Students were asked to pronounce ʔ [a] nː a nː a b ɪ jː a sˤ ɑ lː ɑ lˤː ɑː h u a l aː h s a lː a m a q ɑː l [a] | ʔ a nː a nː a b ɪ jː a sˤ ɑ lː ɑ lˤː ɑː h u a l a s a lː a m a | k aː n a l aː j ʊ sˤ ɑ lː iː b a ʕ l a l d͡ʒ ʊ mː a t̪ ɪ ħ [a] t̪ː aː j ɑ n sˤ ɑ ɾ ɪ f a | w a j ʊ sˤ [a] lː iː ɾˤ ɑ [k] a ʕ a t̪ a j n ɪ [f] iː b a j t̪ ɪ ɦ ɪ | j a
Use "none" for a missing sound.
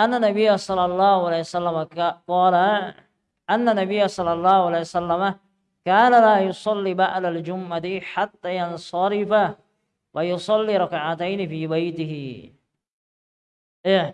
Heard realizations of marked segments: a, a, a, ɑ, k, f

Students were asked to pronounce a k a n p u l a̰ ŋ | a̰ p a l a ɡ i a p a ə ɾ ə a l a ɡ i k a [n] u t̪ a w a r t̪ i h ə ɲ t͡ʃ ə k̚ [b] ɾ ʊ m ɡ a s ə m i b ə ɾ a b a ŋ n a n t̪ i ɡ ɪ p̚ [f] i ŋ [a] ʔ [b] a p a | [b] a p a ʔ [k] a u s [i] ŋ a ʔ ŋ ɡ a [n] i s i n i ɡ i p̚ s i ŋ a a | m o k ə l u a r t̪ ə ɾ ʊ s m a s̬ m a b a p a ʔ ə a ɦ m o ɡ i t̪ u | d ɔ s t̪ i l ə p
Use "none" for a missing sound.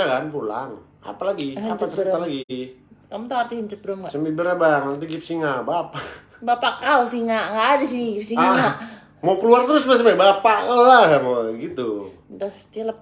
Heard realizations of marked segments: m, b, s, a, b, b, k, i, d

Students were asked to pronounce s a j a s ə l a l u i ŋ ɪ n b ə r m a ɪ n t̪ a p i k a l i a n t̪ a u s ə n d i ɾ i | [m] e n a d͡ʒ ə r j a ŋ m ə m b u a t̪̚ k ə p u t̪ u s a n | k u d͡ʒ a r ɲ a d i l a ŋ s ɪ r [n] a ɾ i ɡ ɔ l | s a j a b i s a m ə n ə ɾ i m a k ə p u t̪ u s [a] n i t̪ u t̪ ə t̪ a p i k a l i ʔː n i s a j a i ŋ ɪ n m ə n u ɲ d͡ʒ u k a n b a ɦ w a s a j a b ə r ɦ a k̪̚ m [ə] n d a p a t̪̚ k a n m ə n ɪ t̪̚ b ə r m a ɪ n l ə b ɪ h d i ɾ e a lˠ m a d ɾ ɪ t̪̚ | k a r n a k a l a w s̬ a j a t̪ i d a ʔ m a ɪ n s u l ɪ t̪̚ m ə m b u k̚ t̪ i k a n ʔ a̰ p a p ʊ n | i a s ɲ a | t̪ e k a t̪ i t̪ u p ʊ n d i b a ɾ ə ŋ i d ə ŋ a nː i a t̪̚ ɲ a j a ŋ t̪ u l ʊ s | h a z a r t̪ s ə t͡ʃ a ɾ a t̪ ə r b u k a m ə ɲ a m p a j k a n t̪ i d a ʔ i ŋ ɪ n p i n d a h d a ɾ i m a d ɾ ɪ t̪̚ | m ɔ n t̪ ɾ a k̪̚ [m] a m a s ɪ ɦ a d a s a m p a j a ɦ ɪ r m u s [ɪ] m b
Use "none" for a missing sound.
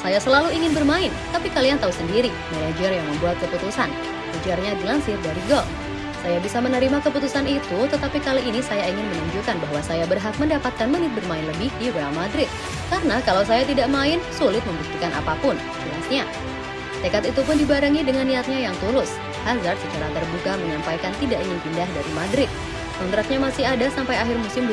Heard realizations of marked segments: m, d, a, ə, ɲ, ɪ

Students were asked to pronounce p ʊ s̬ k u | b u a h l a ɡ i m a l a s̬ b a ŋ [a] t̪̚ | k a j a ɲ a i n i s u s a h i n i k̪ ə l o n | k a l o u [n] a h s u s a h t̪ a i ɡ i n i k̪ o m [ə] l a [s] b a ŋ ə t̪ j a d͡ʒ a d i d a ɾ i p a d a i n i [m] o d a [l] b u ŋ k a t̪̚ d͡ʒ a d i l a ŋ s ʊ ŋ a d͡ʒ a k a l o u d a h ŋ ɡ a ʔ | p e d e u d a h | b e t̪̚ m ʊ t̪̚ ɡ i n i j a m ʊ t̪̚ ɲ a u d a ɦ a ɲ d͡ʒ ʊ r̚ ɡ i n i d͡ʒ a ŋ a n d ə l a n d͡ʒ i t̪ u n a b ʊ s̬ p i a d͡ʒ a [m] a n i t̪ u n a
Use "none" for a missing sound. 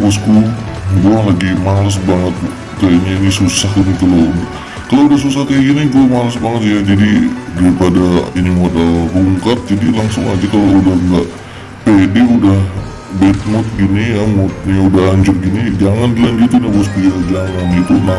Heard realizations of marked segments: ə, d, a, s, m, l, ŋ

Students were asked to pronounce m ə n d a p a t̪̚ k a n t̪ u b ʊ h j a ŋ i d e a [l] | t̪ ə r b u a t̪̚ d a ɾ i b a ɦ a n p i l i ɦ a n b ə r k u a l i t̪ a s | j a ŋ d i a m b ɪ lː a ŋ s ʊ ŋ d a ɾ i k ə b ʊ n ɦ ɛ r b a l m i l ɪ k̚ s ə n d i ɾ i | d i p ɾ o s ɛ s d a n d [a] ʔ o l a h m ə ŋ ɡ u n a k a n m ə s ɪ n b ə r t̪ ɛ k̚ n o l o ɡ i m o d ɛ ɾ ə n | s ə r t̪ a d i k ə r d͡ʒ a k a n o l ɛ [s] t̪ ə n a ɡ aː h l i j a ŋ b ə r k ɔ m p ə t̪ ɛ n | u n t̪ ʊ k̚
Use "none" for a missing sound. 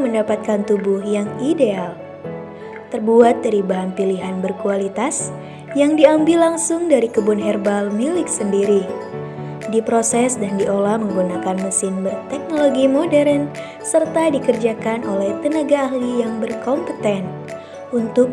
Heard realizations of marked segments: l, i, h

